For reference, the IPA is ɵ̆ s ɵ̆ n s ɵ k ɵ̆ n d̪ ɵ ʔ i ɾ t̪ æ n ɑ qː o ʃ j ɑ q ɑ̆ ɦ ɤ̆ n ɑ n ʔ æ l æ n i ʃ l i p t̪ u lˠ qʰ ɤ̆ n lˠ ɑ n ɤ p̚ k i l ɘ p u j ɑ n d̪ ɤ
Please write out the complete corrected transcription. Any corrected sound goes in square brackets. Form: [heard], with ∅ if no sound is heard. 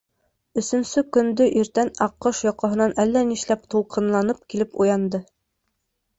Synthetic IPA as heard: ɵ̆ s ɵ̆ n s ɵ k ɵ̆ n d̪ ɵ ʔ i ɾ t̪ æ n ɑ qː [ɤ] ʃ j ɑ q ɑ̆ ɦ ɤ̆ n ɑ n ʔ æ [lː] æ n i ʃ l [æ] p t̪ u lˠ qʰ ɤ̆ n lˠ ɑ n ɤ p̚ k i l ɘ p u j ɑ n d̪ ɤ